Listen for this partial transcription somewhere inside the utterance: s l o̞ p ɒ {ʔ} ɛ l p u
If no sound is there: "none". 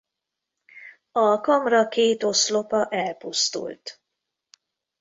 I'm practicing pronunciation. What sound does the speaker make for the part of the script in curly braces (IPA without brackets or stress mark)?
ʔ